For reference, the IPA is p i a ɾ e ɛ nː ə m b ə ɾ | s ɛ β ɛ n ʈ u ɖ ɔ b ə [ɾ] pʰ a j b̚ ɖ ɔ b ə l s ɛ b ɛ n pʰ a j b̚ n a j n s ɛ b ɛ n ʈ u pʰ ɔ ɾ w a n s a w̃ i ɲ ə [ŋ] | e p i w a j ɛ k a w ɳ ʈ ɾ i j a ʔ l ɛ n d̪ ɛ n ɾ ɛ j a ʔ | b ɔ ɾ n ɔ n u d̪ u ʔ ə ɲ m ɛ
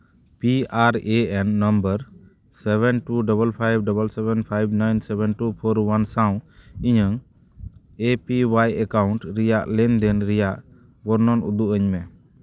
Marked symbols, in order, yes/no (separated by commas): no, yes